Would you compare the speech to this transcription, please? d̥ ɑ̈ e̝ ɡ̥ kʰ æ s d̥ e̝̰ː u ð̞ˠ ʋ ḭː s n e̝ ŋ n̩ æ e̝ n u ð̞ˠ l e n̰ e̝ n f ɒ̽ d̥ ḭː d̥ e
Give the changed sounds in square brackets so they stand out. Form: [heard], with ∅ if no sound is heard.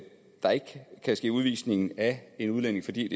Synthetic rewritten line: d̥ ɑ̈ e̝ ɡ̥ kʰ æ s [ɡ̥] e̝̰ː u ð̞ˠ ʋ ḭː s n e̝ ŋ n̩ æ e̝ n u ð̞ˠ l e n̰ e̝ [ŋ] f ɒ̽ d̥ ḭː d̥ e